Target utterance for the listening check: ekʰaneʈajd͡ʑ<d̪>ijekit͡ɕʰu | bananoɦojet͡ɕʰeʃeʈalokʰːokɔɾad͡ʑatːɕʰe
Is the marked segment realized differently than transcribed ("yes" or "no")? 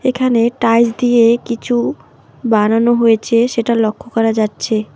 no